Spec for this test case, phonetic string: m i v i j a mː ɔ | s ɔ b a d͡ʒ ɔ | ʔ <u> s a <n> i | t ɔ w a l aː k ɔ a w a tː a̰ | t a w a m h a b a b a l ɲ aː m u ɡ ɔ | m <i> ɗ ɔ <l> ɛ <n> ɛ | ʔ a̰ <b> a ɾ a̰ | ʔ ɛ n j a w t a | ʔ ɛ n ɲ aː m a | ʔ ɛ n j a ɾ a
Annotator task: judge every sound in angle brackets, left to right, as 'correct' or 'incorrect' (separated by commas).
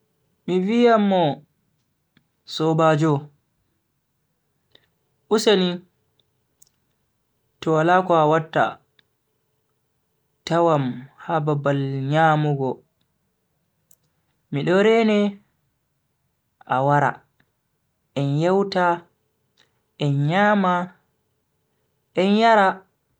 correct, correct, correct, incorrect, correct, incorrect